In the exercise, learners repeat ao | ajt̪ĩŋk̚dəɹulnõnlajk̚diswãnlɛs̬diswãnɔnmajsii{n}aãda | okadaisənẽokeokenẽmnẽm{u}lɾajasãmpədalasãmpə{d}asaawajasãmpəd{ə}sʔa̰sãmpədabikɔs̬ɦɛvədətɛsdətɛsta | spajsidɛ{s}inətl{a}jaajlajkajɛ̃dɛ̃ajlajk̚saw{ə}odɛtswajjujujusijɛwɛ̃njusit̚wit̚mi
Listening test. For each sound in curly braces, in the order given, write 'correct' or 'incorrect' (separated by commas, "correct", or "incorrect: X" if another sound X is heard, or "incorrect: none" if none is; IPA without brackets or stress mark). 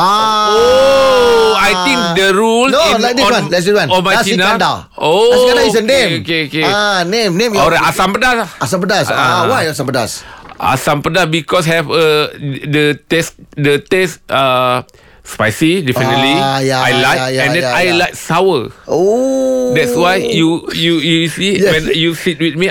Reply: correct, incorrect: ɔ, correct, incorrect: a, incorrect: f, incorrect: i, correct